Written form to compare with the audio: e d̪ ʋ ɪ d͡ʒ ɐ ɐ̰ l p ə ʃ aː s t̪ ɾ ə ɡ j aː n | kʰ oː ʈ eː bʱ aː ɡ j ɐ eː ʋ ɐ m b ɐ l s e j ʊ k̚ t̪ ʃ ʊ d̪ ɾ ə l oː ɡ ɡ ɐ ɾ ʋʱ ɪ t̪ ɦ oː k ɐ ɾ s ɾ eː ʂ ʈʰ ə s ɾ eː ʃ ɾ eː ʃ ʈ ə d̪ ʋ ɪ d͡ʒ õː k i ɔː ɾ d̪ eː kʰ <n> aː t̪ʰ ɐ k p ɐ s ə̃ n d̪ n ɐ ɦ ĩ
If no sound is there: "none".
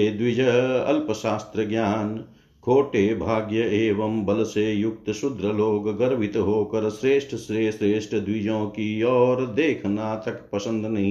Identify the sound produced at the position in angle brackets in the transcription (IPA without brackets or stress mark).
n